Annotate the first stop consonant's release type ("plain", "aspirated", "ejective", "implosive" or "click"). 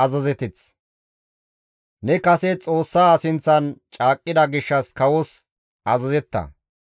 plain